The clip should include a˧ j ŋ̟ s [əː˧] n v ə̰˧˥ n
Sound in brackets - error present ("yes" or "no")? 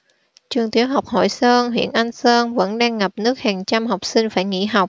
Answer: no